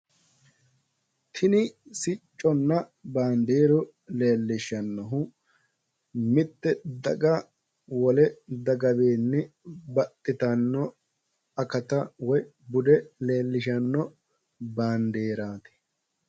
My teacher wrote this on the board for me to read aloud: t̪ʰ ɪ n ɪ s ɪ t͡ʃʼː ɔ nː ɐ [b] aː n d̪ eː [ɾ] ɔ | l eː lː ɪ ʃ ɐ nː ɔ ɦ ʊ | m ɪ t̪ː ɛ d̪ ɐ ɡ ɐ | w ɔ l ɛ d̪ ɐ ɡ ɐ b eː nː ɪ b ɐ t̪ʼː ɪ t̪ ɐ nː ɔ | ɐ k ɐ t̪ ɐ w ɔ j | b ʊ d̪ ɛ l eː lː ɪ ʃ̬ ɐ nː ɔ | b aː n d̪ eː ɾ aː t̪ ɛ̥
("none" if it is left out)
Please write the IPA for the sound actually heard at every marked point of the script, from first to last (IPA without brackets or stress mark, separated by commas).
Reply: b, ɾ